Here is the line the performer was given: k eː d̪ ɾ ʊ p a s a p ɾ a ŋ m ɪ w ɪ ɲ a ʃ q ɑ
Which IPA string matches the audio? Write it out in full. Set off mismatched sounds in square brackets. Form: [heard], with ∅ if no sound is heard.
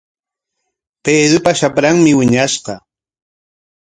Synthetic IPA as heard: [p] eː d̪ ɾ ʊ p a [ʃ] a p ɾ a ŋ m ɪ w ɪ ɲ a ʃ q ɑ